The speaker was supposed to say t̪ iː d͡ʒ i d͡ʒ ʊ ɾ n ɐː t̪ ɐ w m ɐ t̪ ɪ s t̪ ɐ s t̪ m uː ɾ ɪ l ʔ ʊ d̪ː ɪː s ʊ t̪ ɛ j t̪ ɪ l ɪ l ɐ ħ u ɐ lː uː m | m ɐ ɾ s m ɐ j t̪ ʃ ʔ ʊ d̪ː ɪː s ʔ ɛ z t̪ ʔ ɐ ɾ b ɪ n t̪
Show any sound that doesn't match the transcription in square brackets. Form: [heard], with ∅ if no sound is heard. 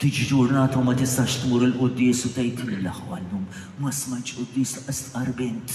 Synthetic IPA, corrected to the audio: t̪ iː d͡ʒ i d͡ʒ ʊ ɾ n ɐː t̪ ɐ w m ɐ t̪ ɪ s t̪ ɐ [ʃ] t̪ m uː ɾ ɪ l ʔ ʊ d̪ː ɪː s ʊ t̪ ɛ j t̪ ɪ l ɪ l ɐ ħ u ɐ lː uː m | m ɐ [∅] s m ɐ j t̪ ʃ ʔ ʊ d̪ː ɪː s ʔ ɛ [s] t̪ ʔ ɐ ɾ b ɪ n t̪